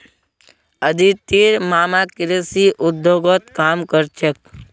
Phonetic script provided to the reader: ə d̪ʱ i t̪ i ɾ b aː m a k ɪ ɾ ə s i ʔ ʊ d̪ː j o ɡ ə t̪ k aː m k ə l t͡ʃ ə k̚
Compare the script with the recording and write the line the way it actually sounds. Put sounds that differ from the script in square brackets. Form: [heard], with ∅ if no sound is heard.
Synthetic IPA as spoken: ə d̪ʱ i t̪ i ɾ [m] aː m a k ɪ ɾ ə s i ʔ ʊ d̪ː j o ɡ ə t̪ k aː m k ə [ɾ] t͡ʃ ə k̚